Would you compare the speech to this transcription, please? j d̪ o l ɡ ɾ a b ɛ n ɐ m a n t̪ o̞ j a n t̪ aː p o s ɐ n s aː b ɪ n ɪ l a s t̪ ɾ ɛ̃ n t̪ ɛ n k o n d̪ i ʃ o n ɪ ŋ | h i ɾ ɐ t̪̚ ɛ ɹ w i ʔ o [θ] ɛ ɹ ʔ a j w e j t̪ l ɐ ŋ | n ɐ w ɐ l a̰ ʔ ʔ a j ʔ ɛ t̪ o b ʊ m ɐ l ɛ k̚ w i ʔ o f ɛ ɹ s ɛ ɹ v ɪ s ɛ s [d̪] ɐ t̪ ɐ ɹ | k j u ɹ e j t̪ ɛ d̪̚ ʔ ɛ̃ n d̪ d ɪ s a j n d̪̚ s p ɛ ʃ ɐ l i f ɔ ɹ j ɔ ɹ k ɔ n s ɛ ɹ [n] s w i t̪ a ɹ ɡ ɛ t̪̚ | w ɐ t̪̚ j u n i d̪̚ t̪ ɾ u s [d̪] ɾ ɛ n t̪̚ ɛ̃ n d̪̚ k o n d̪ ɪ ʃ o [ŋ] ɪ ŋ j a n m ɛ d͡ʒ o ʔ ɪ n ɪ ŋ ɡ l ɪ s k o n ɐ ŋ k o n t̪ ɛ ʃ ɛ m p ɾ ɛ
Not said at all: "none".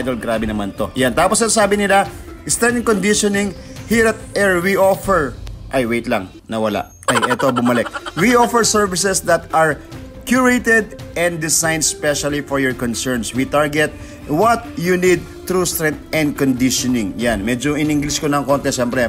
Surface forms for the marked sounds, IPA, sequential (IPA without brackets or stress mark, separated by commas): f, d̪, n, t̪, n